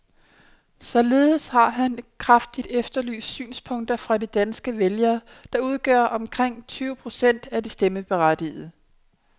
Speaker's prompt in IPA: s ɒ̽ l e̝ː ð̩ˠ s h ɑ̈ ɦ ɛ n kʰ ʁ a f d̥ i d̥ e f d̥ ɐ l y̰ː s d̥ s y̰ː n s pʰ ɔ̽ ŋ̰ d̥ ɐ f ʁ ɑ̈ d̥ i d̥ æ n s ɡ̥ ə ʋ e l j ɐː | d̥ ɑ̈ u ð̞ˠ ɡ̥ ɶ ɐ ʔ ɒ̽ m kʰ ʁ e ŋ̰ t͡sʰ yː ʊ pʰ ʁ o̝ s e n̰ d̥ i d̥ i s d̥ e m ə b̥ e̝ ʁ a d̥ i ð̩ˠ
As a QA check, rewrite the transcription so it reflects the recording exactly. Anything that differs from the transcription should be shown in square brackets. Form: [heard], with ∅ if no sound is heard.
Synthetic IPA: s ɒ̽ l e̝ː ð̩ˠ s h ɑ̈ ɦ [æ] n kʰ ʁ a f d̥ i d̥ e f d̥ ɐ l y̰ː s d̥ s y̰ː n s pʰ ɔ̽ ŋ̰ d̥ ɐ f ʁ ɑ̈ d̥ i d̥ æ n s ɡ̥ ə ʋ e l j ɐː | d̥ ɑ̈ u ð̞ˠ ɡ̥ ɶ ɐ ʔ ɒ̽ m kʰ ʁ e ŋ̰ t͡sʰ yː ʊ pʰ ʁ o̝ s e n̰ d̥ [æ] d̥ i s d̥ e m ə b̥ e̝ ʁ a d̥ i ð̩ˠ